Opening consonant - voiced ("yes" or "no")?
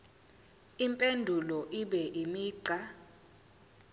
yes